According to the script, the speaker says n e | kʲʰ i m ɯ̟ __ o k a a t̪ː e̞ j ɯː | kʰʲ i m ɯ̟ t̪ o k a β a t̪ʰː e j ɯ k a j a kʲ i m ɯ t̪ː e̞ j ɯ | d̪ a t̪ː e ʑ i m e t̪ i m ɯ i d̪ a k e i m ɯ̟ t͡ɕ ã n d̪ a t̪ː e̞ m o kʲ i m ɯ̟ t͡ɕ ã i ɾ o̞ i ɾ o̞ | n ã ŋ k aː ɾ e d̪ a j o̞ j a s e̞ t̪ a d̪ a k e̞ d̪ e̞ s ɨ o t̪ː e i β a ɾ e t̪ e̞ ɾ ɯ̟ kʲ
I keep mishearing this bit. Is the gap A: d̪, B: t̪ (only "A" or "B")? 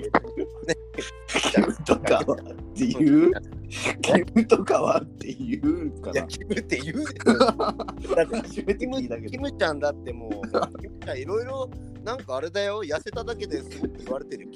B